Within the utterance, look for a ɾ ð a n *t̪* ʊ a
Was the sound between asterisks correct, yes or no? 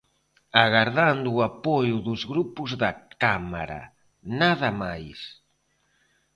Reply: no